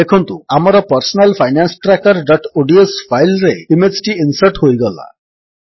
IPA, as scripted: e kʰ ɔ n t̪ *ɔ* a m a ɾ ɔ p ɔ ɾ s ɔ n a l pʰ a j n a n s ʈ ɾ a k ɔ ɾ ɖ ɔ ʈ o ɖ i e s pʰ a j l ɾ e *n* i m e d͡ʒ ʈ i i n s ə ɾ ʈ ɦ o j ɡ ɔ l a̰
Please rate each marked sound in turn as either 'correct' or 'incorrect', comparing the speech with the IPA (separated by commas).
incorrect, incorrect